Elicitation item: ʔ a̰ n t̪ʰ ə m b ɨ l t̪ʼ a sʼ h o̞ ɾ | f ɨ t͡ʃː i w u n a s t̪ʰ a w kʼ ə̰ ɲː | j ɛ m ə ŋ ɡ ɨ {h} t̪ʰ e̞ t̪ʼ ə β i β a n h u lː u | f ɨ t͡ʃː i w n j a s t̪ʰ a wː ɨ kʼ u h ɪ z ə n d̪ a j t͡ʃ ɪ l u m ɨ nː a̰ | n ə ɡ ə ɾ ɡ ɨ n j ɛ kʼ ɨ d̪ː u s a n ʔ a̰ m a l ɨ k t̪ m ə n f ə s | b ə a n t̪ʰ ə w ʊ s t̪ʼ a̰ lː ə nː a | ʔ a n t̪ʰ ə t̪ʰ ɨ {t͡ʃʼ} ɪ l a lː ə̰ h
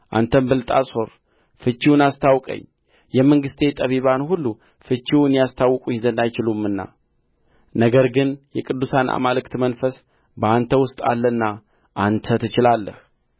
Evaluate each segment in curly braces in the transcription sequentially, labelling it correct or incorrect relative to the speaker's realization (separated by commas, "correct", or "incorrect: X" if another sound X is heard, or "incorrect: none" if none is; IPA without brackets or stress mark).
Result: incorrect: s, incorrect: t͡ʃ